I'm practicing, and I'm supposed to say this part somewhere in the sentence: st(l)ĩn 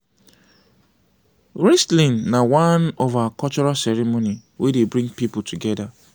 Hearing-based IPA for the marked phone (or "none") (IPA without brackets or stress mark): l